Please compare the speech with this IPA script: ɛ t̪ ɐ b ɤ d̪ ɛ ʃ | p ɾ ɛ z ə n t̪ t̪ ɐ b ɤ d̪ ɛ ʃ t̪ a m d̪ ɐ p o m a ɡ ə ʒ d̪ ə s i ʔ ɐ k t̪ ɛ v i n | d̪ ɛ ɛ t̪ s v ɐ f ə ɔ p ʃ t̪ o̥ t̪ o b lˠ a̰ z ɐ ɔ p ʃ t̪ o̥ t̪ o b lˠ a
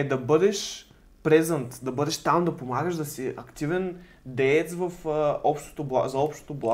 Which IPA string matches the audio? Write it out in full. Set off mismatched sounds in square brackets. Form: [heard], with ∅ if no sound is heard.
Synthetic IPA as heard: ɛ [d̪] ɐ b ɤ d̪ ɛ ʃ | p ɾ ɛ z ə n t̪ [d̪] ɐ b ɤ d̪ ɛ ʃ t̪ a m d̪ ɐ p o m a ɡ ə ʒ d̪ [ɐ] s i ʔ ɐ k t̪ [i] v [ɛ] n | d̪ ɛ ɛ t̪ s v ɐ f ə ɔ p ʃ t̪ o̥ t̪ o b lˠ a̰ z ɐ ɔ p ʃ t̪ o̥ t̪ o b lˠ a